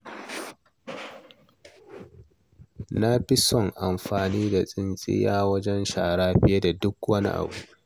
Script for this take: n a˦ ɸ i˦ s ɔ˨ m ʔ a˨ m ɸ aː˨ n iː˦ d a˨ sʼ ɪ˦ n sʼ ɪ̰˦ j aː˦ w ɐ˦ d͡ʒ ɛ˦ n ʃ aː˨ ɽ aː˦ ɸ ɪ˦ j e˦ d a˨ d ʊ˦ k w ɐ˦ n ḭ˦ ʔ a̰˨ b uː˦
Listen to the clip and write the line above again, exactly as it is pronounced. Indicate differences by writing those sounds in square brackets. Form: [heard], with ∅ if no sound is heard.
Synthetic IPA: n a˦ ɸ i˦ s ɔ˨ [ŋ] ʔ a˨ m ɸ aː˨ n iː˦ d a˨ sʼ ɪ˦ n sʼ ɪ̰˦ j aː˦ w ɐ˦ d͡ʒ ɛ˦ n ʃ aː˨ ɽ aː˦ ɸ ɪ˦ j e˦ d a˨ d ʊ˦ k w ɐ˦ n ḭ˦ ʔ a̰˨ b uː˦